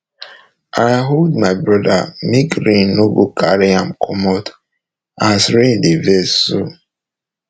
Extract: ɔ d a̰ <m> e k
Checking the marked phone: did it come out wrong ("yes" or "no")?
no